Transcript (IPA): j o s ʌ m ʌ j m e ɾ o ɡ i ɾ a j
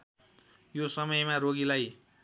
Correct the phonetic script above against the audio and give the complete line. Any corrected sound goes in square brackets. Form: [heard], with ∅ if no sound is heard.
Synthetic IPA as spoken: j o s ʌ m ʌ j m [a] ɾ o ɡ i [l] a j

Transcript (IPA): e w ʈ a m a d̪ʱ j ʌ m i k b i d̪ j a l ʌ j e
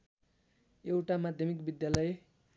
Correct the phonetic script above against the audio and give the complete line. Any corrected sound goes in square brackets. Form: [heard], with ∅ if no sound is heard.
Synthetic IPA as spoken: e w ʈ a m a d̪ʱ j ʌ m i k b i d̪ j a l ʌ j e

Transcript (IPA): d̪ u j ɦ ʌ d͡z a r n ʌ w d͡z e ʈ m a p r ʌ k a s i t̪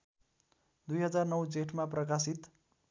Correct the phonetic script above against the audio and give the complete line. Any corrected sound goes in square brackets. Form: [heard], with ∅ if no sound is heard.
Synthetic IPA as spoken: d̪ u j ɦ ʌ d͡z a r n ʌ w d͡z e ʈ m a p r ʌ k a s i t̪

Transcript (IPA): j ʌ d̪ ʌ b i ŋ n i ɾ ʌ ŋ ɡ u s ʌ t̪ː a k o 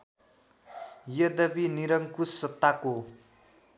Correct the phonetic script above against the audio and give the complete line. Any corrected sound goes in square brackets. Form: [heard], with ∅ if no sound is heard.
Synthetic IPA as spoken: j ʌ d̪ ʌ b i [∅] n i ɾ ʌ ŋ [k] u s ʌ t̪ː a k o

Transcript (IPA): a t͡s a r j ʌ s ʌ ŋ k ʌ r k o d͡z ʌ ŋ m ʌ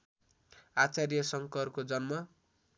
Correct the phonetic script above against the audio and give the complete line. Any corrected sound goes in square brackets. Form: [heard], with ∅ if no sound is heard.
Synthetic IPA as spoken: a t͡s a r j ʌ s ʌ ŋ k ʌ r k o d͡z ʌ [n] m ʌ

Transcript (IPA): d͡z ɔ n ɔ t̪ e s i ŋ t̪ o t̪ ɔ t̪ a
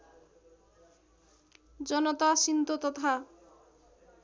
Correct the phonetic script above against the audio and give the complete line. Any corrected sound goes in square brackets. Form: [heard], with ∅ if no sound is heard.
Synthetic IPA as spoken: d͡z ɔ n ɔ t̪ [a] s i [n] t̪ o t̪ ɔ [t̪ʰ] a

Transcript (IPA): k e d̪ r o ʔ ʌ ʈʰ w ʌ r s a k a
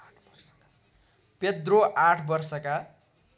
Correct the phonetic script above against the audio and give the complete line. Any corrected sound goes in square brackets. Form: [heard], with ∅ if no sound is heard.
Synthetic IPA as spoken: [p] e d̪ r o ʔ [a] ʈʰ [b] ʌ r s [ʌ] k a

